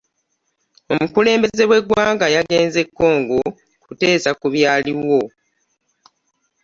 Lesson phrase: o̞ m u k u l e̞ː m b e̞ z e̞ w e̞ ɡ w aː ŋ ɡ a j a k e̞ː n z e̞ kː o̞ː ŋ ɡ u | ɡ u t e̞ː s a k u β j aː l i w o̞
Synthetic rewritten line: o̞ m u k u l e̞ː m b e̞ z e̞ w e̞ ɡ w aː ŋ ɡ a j a ɡ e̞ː n z e̞ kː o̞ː ŋ ɡ o | k u t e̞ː s a k u β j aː l i w o̞